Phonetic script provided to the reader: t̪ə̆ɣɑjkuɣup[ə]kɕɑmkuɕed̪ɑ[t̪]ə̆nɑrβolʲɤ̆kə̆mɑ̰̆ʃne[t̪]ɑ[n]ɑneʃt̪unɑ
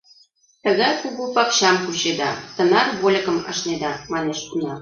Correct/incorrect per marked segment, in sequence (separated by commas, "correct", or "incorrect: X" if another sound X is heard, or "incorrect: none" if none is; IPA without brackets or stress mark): incorrect: ɑ, correct, incorrect: d̪, incorrect: m